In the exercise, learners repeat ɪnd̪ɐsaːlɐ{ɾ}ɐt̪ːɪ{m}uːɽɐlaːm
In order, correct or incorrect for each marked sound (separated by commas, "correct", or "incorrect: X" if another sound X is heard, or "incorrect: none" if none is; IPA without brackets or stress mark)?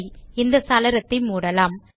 correct, correct